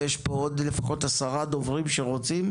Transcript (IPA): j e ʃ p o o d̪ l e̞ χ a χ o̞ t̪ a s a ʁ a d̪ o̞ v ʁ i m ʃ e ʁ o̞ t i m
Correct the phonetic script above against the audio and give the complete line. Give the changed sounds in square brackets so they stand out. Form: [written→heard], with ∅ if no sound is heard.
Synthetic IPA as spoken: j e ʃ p o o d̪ l e̞ [χ→f] a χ o̞ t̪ a s a ʁ a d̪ o̞ v ʁ i m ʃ e ʁ o̞ [t→t͡s] i m